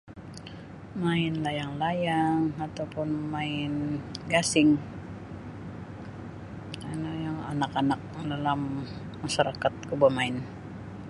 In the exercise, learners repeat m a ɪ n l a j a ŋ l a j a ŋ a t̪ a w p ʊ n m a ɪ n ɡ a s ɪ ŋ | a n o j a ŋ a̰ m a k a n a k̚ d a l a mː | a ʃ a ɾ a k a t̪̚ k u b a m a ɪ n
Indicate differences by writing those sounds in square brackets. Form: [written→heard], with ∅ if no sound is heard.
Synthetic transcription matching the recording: m a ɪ n l a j a ŋ l a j a ŋ a t̪ a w p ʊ n m a ɪ n ɡ a s ɪ ŋ | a n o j a ŋ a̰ [m→n] a k a n a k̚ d a l a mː | a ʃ a ɾ a k a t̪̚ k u b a m a ɪ n